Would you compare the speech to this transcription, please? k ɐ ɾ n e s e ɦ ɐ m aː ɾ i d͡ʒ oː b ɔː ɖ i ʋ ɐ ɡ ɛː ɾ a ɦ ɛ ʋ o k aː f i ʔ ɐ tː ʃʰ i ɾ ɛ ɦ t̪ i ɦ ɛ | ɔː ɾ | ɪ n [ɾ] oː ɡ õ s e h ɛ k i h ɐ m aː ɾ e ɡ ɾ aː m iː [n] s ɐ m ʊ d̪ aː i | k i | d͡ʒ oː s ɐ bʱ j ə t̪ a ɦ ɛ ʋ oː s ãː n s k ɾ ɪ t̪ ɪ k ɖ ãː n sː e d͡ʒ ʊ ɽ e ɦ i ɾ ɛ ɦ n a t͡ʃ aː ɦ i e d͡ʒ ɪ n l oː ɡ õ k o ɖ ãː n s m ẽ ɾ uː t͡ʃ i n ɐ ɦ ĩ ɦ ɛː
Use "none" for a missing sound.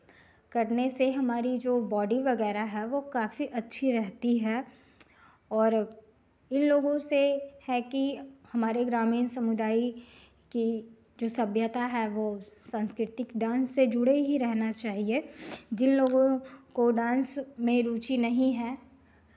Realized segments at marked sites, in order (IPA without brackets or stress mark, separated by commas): l, n